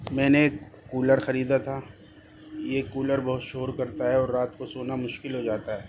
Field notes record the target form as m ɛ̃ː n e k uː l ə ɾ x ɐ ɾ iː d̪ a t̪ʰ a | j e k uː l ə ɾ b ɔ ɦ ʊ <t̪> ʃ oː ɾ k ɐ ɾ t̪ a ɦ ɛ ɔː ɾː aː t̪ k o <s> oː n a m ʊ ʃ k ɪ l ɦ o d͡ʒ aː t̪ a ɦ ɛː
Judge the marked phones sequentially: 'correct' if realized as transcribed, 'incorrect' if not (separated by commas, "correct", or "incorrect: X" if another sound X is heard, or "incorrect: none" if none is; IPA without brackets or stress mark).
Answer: correct, correct